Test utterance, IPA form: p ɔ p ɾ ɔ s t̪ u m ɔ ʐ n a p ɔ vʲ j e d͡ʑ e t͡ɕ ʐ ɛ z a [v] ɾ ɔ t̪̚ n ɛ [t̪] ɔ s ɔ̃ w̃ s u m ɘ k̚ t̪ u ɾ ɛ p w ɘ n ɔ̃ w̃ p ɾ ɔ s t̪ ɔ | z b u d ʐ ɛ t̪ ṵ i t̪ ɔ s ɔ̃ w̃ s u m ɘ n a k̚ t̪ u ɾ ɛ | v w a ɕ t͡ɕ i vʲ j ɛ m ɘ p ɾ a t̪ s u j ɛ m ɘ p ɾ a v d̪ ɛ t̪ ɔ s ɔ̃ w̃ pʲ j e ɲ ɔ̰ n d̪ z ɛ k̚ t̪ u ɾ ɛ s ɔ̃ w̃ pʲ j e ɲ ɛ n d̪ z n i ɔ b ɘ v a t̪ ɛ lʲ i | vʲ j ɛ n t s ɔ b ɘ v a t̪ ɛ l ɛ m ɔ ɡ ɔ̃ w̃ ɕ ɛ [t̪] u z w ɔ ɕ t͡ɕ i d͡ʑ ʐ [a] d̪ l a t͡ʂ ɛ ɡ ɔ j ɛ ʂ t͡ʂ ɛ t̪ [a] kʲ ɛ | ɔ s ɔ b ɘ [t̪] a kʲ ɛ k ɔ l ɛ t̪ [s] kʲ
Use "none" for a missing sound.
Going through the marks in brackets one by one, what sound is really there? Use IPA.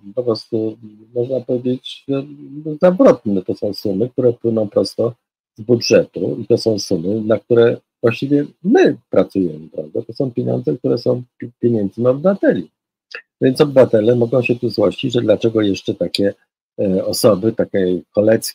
v, t̪, t̪, ɛ, a, t̪, s

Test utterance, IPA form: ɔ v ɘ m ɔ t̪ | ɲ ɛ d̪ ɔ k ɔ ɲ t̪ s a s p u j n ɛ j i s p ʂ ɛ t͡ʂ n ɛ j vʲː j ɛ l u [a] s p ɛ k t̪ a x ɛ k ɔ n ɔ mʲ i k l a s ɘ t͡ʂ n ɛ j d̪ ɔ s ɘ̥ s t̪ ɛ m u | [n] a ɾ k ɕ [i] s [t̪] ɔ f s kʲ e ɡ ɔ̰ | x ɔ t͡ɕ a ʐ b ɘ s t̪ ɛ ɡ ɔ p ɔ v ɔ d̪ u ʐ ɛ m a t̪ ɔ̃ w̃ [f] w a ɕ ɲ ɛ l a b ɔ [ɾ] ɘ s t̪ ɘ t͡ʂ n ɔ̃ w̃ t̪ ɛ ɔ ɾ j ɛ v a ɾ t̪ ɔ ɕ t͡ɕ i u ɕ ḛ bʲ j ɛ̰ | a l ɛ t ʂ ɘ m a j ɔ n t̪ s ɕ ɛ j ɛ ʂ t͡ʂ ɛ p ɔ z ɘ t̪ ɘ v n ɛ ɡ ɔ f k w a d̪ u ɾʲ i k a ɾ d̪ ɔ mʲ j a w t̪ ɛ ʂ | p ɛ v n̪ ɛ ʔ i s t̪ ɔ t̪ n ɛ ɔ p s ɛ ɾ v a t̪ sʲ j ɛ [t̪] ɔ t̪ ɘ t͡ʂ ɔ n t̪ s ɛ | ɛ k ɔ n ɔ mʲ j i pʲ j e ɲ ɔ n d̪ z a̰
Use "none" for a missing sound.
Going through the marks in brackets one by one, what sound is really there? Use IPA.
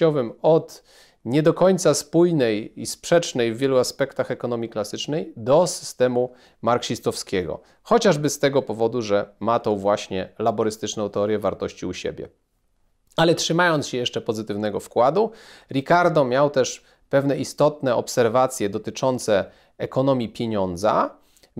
a, m, i, t̪, v, ɾ, d̪

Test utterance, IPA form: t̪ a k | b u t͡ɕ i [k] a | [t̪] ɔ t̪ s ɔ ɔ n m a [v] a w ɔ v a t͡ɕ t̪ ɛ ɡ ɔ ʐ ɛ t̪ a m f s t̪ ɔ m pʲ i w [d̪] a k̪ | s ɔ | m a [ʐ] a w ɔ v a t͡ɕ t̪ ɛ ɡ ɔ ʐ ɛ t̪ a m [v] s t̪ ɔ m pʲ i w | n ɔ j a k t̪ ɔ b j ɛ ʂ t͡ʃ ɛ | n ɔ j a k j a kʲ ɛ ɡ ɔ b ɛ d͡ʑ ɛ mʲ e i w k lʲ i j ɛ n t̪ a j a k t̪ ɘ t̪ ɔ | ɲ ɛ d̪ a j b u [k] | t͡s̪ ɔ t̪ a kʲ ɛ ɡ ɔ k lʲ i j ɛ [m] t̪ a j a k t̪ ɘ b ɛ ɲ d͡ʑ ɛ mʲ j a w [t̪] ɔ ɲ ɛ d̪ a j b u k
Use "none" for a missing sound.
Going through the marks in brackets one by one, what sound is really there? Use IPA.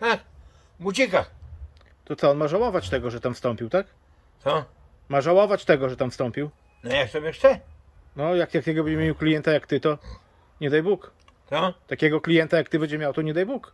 k, t̪, ʐ, t̪, ʐ, f, k, n, t̪

